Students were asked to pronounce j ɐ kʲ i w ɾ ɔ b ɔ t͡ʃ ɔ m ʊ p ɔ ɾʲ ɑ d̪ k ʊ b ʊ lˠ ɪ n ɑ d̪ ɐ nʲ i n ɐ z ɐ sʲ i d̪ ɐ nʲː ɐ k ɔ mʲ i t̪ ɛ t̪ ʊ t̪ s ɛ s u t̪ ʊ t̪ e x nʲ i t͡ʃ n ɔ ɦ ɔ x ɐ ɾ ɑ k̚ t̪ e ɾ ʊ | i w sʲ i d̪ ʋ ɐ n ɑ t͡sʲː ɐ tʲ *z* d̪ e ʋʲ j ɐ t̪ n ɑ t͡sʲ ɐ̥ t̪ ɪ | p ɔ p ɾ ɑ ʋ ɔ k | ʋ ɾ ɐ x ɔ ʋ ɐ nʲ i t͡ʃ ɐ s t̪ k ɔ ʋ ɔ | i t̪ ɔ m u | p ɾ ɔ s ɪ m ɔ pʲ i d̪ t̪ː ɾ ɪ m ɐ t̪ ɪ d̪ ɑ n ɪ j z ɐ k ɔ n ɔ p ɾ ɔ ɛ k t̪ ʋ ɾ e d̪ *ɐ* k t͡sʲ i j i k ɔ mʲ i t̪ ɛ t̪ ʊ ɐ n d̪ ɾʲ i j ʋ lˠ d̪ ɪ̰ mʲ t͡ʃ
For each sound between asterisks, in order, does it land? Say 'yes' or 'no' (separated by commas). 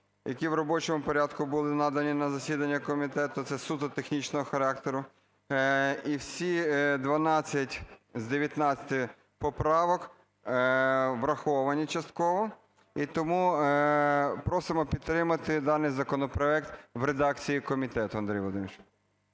yes, no